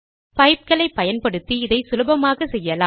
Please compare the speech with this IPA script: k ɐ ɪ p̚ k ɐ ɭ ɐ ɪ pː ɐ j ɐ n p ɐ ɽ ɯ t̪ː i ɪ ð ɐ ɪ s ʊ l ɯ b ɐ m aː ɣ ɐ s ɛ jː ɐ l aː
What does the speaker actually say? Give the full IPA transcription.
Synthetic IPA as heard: p ɐ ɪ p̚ k ɐ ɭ ɐ ɪ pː ɐ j ɐ n p ɐ ɽ ɯ t̪ː i ɪ ð ɐ ɪ s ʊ l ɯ b ɐ m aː ɣ ɐ s ɛ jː ɐ l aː